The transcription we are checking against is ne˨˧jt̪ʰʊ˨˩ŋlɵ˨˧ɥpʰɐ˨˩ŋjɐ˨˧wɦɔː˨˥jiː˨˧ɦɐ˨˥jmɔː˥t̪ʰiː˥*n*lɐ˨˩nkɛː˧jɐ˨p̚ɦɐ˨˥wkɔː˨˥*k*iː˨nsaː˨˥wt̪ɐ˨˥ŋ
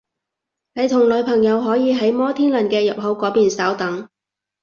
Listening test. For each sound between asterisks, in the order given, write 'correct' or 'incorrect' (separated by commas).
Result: correct, incorrect